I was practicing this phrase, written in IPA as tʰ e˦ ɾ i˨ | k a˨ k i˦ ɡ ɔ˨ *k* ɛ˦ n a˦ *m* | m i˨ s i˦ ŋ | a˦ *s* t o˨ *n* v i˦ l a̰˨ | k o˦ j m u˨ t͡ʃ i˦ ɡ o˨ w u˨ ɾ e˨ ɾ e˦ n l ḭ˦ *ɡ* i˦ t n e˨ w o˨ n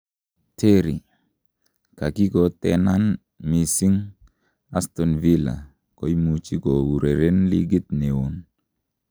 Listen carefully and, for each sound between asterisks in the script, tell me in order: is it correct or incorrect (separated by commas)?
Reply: incorrect, incorrect, correct, correct, correct